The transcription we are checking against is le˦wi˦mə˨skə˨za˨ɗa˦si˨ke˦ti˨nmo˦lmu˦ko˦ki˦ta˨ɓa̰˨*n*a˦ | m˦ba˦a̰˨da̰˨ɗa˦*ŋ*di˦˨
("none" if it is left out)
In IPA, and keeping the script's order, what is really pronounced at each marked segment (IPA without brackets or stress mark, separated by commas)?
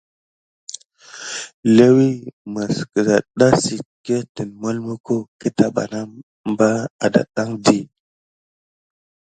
n, ŋ